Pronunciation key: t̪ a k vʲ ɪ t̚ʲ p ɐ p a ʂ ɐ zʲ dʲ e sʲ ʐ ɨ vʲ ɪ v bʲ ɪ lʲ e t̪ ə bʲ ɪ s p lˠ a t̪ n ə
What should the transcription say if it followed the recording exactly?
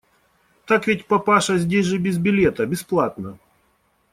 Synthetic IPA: t̪ a k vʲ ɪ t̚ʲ p ɐ p a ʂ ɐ zʲ dʲ e sʲ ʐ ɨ bʲ ɪ z bʲ ɪ lʲ e t̪ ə bʲ ɪ s p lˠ a t̪ n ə

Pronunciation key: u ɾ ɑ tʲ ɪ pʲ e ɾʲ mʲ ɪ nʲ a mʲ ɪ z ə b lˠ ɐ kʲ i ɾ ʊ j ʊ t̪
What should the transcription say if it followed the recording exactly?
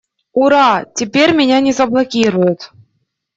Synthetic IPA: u ɾ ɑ tʲ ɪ pʲ e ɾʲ mʲ ɪ nʲ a nʲ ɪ z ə b lˠ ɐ kʲ i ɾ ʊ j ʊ t̪

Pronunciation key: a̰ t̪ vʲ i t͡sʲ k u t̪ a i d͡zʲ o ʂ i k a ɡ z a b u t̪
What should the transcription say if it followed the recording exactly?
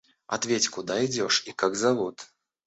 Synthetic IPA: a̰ t̪ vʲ e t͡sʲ k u d̪ a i d͡zʲ ɔ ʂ i k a ɡ z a v u t̪

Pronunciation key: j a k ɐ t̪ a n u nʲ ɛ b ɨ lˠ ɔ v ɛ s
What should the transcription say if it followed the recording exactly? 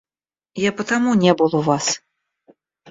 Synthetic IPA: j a p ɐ t̪ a m u nʲ ɛ b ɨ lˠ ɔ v a s

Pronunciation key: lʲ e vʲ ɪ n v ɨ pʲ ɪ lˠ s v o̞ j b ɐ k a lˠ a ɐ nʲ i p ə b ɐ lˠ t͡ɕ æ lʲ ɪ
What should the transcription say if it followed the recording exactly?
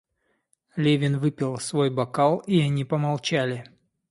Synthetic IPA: lʲ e vʲ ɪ n v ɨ pʲ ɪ lˠ s v o̞ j b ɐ k a lˠ i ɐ nʲ i p ə m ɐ lˠ t͡ɕ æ lʲ ɪ

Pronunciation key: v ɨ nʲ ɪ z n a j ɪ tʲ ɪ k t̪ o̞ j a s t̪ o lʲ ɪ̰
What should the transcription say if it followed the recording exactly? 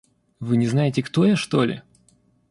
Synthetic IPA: v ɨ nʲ ɪ z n a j ɪ tʲ ɪ k t̪ o̞ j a ʂ t̪ o lʲ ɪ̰

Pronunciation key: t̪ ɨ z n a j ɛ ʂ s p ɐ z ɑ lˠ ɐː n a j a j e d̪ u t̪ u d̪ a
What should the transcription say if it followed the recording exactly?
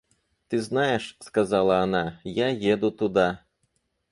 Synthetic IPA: t̪ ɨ z n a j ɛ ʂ s k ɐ z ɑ lˠ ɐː n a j a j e d̪ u t̪ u d̪ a

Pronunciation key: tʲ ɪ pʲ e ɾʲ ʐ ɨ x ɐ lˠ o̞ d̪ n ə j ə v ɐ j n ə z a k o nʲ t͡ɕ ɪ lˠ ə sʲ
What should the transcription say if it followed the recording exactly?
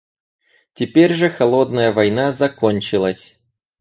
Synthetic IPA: tʲ ɪ pʲ e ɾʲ ʐ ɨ x ɐ lˠ o̞ d̪ n ə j ə v ɐ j n a z ɐ k o nʲ t͡ɕ ɪ lˠ ə sʲ

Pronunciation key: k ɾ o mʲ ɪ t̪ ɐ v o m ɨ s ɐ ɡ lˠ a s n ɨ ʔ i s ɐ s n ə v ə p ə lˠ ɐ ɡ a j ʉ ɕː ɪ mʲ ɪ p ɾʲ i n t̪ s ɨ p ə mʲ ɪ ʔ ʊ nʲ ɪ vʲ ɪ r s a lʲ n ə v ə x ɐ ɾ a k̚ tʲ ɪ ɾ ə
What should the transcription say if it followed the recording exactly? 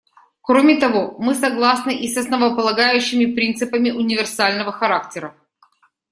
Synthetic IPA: k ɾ o mʲ ɪ t̪ ɐ v o m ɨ s ɐ ɡ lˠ a s n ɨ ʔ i s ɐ s n ə v ə p ə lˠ ɐ ɡ a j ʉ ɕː ɪ mʲ ɪ p ɾʲ i n t̪ s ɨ p ə mʲ ɪ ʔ ʊ nʲ ɪ vʲ ɪ r s a lʲ n ə v ə x ɐ ɾ a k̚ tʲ ɪ ɾ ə

